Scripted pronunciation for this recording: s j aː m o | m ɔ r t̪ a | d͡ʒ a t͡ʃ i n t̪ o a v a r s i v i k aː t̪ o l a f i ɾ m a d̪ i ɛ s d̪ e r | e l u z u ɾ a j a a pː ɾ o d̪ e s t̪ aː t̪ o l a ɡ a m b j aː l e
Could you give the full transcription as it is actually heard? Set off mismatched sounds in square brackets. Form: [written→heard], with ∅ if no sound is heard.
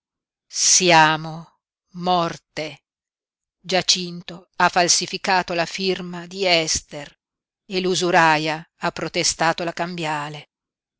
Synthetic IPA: s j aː m o | m ɔ r t̪ [a→e] | d͡ʒ a t͡ʃ i n t̪ o a [v→f] a [r→l] s i [v→f] i k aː t̪ o l a f i [ɾ→r] m a d̪ i ɛ s [d̪→t̪] e r | e l u z u ɾ a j a a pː ɾ o [d̪→t̪] e s t̪ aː t̪ o l a [ɡ→k] a m b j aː l e

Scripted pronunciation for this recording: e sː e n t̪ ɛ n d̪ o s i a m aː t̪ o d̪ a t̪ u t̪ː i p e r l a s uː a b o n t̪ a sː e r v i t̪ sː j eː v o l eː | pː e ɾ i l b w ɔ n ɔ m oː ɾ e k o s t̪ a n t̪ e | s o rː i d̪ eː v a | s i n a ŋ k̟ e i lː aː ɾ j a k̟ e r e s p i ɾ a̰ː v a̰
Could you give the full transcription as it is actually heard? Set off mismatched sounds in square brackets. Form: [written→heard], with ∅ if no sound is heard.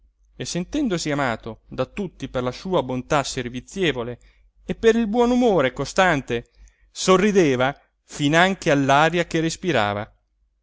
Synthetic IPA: e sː e n t̪ ɛ n d̪ o s i a m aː t̪ o d̪ a t̪ u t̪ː i p e r l a s uː a b o n t̪ a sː e r v i t̪ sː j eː v o l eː | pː e ɾ i l b w ɔ n [ɔ→u] m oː ɾ e k o s t̪ a n t̪ e | s o rː i d̪ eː v a | [s→f] i n a ŋ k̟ e [i→a] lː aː ɾ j a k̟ e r e s p i ɾ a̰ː v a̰

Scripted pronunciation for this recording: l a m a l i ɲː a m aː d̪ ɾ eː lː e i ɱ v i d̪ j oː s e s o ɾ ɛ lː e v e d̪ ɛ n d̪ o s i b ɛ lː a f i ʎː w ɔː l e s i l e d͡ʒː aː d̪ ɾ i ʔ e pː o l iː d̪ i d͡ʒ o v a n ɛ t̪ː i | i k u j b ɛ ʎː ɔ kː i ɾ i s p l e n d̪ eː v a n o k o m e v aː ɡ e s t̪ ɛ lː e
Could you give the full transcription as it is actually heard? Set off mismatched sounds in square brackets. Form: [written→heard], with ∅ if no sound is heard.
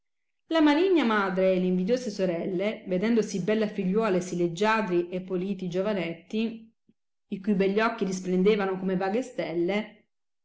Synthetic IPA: l a m a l i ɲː a m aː d̪ ɾ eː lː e i ɱ v i d̪ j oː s e s o ɾ ɛ lː e v e d̪ ɛ n d̪ o s i b ɛ lː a f i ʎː w ɔː l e s i l e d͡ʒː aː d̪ ɾ i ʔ e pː o l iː [d̪→t̪] i d͡ʒ o v a n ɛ t̪ː i | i k u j b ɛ ʎː ɔ kː i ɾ i s p l e n d̪ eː v a n o k o m e v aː ɡ e s t̪ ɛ lː e

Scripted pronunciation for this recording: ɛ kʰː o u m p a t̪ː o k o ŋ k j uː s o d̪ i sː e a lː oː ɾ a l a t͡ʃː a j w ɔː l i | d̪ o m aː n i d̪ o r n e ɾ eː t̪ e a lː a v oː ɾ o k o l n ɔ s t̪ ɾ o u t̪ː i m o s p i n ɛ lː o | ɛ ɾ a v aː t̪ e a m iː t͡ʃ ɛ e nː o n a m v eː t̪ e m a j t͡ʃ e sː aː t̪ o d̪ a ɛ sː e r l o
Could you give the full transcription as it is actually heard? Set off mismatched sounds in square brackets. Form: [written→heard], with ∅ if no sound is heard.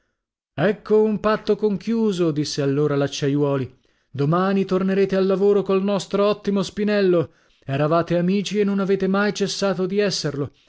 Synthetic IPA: ɛ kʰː o u m p a t̪ː o k o ŋ k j uː [s→z] o d̪ i sː e a lː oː ɾ a l a t͡ʃː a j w ɔː l i | d̪ o m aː n i [d̪→t̪] o r n e ɾ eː t̪ e a lː a v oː ɾ o k o l n ɔ s t̪ ɾ o [u→ɔ] t̪ː i m o s p i n ɛ lː o | ɛ ɾ a v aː t̪ e a m iː t͡ʃ [ɛ→i] e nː o n a [m→∅] v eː t̪ e m a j t͡ʃ e sː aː t̪ o d̪ [a→i] ɛ sː e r l o

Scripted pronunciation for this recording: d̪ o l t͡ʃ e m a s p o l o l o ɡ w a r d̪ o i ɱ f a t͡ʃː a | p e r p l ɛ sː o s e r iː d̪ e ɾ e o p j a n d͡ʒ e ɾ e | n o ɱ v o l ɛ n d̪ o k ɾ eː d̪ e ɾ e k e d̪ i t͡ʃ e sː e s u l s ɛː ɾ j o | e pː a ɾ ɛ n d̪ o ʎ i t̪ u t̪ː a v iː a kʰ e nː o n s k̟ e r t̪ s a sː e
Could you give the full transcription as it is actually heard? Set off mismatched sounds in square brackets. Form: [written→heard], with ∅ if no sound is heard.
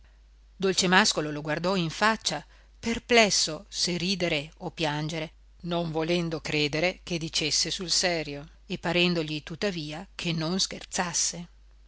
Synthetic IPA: d̪ o l t͡ʃ e m a s [p→k] o l o l o ɡ w a r d̪ [o→ɔ] i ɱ f a t͡ʃː a | p e r p l ɛ sː o s e r iː d̪ e ɾ e o p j a n d͡ʒ e ɾ e | n o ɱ v o l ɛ n d̪ o k ɾ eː d̪ e ɾ e k e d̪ i t͡ʃ e sː e s u l s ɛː ɾ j o | e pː a ɾ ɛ n d̪ o ʎ i t̪ u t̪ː a v iː a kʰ e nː o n s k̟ e r t̪ s a sː e

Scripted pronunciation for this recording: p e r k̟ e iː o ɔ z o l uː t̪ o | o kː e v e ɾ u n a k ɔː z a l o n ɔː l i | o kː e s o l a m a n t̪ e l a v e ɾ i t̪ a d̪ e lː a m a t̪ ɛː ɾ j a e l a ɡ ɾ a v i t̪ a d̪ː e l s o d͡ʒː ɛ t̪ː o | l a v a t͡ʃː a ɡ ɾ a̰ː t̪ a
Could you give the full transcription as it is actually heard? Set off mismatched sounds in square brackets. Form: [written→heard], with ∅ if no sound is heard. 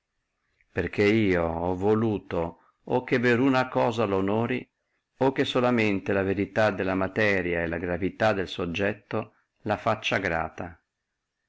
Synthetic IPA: p e r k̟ e iː o ɔ [z→v] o l uː t̪ o | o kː e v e ɾ u n a k ɔː z a l o n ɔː [l→ɾ] i | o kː e s o l a m [a→e] n t̪ e l a v e ɾ i t̪ a d̪ e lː a m a t̪ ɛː ɾ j a e l a ɡ ɾ a v i t̪ a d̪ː e l s o d͡ʒː ɛ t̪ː o | l a [v→f] a t͡ʃː a ɡ ɾ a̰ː t̪ a

